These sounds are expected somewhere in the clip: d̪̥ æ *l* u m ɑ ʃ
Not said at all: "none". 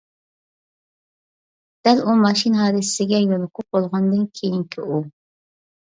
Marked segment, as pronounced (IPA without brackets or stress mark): l